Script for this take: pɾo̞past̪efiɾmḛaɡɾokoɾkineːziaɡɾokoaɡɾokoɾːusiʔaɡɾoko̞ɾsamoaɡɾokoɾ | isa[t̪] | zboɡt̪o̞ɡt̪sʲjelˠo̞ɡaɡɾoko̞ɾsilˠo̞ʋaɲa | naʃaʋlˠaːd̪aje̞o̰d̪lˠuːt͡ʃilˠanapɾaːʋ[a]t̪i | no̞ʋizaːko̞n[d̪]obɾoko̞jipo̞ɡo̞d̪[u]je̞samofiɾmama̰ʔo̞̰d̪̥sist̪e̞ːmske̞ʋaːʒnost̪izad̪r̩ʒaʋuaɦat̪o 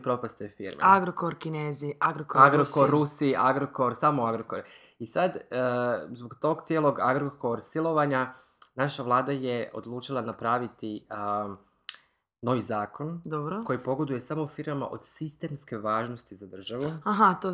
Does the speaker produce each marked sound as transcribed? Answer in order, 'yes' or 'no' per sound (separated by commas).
no, no, yes, yes